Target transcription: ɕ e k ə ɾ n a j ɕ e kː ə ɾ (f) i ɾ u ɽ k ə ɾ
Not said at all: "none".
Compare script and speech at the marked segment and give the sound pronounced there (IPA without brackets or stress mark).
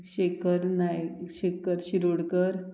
ɕ